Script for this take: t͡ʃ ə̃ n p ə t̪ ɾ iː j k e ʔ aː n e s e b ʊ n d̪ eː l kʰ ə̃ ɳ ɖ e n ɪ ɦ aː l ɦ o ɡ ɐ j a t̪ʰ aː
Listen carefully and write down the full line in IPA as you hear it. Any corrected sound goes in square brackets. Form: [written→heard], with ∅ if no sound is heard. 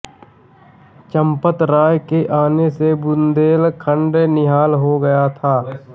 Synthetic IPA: t͡ʃ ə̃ [n→m] p ə t̪ ɾ [iː→aː] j k e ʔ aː n e s e b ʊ n d̪ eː l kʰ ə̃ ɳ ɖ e n ɪ ɦ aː l ɦ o ɡ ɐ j a t̪ʰ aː

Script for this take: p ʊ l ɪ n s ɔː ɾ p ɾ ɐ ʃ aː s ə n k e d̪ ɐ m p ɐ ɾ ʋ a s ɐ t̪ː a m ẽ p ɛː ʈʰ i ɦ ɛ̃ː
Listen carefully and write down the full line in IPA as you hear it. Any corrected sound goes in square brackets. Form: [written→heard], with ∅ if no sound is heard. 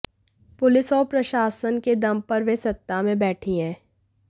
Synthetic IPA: p ʊ l ɪ [n→∅] s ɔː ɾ p ɾ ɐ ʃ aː s ə n k e d̪ ɐ m p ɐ ɾ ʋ [a→e] s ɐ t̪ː a m ẽ [p→b] ɛː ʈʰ i ɦ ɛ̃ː

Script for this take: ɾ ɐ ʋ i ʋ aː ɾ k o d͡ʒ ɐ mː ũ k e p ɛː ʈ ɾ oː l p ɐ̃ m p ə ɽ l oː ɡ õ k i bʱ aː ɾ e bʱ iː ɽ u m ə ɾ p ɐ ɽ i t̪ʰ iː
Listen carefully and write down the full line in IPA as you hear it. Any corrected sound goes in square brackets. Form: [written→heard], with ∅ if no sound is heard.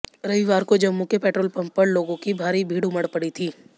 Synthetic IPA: ɾ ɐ ʋ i ʋ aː ɾ k o d͡ʒ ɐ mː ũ k e p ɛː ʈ ɾ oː l p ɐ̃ m p ə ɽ l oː ɡ õ k i bʱ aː ɾ [e→i] bʱ iː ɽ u m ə [ɾ→ɽ] p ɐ ɽ i t̪ʰ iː

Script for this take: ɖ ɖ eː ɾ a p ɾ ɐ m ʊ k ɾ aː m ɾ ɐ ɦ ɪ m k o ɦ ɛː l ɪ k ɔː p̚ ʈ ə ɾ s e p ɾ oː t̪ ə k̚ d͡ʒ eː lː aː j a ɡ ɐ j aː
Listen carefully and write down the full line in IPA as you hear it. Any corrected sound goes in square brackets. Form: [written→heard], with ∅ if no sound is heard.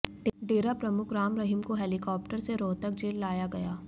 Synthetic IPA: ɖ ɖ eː ɾ a p ɾ ɐ m ʊ k ɾ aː m ɾ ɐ ɦ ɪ m k o ɦ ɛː l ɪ k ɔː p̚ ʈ ə ɾ s e [p→∅] ɾ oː t̪ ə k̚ d͡ʒ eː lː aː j a ɡ ɐ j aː

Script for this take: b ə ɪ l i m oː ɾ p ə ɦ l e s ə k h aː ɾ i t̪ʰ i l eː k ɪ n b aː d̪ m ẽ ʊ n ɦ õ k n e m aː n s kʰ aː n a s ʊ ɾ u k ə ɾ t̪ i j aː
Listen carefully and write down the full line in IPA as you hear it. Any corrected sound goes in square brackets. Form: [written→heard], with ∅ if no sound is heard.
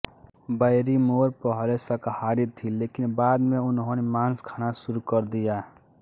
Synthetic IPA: b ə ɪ [l→ɾ] i m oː ɾ p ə ɦ l e s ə k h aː ɾ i t̪ʰ i l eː k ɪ n b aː d̪ m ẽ ʊ n ɦ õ [k→∅] n e m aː n s kʰ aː n a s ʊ ɾ u k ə ɾ [t̪→d̪] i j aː

